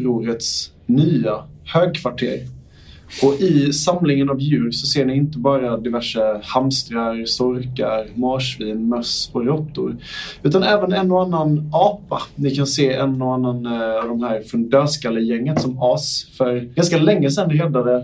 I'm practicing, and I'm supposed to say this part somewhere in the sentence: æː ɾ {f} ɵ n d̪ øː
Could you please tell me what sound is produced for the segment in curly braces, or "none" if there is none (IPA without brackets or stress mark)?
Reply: f